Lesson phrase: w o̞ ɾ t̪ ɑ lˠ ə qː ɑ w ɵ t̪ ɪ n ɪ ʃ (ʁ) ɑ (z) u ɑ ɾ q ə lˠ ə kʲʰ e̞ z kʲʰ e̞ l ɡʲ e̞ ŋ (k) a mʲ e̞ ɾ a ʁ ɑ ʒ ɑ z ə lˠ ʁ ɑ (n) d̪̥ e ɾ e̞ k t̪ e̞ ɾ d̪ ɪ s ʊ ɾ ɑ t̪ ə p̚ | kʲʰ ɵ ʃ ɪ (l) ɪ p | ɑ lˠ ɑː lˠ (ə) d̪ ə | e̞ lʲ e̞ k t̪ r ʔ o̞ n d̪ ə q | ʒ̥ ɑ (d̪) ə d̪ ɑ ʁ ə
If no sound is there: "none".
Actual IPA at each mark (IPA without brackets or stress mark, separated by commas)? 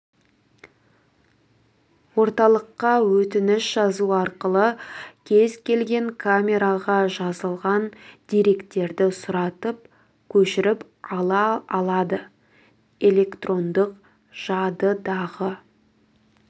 ʒ, z, kʰ, n, ɾ, ɑ, d̪